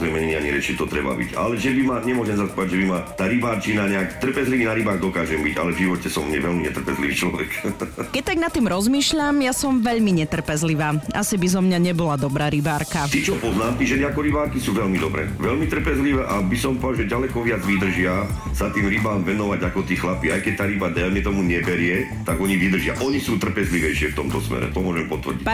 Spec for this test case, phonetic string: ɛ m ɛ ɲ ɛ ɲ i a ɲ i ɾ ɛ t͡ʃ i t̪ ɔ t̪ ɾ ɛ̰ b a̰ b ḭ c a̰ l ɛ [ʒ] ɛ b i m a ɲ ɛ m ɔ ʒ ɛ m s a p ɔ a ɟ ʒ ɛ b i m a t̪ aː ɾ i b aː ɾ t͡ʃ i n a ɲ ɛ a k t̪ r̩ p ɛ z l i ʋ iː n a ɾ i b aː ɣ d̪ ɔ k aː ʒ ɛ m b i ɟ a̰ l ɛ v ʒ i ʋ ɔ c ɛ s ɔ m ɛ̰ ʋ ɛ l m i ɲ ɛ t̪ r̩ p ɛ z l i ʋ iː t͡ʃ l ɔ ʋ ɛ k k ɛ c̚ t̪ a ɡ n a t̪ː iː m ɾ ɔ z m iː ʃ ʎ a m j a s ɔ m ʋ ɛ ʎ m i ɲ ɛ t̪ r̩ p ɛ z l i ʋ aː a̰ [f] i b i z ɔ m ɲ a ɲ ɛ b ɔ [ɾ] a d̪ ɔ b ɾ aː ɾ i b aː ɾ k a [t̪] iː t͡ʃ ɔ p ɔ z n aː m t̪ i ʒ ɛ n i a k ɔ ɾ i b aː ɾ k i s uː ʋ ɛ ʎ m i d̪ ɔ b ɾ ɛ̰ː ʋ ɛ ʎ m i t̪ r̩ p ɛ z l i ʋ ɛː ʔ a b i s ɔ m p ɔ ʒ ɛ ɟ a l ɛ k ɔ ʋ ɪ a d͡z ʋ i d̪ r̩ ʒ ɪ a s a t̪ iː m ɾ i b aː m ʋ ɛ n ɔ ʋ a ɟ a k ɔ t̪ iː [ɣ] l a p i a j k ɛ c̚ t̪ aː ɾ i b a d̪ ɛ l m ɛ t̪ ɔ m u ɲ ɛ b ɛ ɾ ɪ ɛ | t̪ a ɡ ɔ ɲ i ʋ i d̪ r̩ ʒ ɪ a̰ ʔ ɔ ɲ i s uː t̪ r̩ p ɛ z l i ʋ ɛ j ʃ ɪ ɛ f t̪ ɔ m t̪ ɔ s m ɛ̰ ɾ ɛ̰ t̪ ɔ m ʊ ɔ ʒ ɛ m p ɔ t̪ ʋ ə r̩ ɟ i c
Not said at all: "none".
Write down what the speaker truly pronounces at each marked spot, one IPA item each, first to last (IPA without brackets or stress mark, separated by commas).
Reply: ʒ, s, l, t̪, x